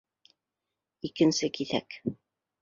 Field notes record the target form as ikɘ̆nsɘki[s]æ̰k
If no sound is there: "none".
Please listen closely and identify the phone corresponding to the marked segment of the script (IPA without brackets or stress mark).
θ